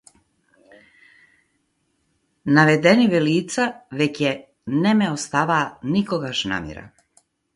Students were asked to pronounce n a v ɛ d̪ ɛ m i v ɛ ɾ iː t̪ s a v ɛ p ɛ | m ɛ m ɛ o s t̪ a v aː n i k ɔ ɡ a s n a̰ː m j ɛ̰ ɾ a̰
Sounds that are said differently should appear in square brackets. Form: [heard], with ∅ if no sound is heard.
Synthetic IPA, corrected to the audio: n a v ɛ d̪ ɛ [n] i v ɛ [l] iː t̪ s a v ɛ [c] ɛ | [n] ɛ m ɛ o s t̪ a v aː n i k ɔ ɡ a [ʃ] n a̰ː m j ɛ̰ ɾ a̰